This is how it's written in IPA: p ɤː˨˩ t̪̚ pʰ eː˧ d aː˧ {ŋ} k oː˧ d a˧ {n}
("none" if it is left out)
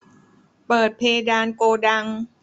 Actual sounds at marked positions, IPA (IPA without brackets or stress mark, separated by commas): n, ŋ